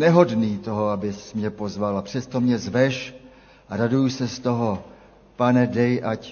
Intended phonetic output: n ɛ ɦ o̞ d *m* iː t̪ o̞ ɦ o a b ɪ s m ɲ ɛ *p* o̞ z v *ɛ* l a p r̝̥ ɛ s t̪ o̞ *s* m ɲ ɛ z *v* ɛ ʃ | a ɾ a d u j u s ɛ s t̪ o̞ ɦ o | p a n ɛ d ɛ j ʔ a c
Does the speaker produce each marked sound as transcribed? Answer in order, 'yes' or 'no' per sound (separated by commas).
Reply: no, yes, no, no, yes